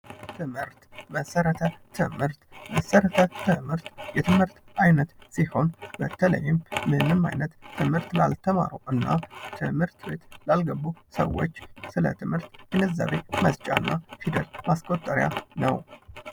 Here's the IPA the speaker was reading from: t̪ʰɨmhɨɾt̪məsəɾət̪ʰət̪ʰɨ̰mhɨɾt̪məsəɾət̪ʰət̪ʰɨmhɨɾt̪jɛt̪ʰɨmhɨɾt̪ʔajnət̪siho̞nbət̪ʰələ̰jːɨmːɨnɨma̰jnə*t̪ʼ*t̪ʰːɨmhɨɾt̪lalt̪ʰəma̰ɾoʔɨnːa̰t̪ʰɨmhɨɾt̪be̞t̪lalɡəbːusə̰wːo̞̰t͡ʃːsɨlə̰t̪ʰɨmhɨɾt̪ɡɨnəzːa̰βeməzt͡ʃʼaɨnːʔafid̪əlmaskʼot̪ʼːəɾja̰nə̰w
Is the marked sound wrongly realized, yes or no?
yes